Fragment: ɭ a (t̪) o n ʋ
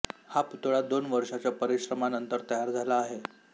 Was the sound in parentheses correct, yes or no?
no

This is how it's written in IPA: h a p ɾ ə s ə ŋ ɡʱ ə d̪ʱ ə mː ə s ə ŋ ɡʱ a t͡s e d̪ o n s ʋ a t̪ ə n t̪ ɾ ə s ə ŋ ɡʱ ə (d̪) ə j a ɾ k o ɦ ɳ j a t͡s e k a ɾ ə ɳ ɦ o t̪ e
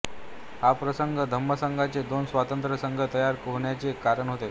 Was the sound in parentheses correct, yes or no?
no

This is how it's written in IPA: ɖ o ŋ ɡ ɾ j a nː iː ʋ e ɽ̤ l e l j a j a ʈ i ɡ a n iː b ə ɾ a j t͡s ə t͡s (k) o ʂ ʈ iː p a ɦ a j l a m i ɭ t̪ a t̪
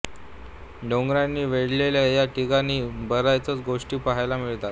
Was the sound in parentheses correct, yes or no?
no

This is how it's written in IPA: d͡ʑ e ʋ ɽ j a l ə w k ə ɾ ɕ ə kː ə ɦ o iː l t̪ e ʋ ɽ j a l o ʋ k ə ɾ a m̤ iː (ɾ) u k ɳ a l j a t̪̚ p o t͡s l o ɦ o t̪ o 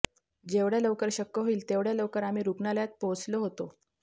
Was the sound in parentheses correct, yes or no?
yes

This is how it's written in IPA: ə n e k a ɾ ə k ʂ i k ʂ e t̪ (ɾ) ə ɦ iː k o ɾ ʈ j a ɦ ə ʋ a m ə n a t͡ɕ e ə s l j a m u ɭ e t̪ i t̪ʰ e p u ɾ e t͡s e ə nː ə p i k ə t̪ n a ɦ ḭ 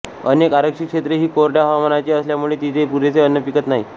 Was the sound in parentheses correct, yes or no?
yes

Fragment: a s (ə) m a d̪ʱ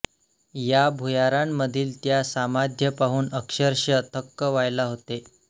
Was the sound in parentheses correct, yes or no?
no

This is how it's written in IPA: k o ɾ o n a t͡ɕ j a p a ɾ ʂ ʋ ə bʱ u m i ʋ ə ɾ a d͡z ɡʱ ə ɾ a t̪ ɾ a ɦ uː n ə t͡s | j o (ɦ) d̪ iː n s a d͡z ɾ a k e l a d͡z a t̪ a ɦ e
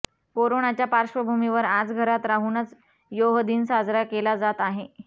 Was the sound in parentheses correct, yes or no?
yes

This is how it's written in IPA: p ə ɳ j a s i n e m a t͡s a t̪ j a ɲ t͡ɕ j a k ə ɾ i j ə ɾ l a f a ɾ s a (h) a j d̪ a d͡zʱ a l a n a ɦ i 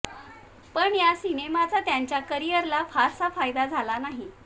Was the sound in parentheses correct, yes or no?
no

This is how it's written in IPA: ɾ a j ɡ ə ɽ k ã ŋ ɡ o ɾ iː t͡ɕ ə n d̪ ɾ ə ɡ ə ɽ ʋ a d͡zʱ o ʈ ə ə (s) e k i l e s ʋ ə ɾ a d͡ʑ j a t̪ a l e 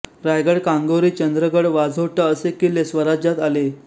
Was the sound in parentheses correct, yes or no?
yes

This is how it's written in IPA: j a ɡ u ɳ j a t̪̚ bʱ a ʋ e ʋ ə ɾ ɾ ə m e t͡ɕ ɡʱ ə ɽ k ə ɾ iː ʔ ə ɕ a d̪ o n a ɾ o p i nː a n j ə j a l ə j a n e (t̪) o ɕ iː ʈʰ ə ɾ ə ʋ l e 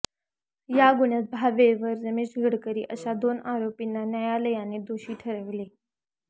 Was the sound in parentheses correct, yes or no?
no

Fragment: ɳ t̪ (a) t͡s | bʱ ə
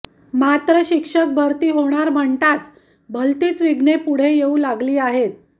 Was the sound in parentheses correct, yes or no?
yes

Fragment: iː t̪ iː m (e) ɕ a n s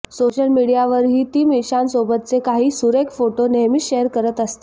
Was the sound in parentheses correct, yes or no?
no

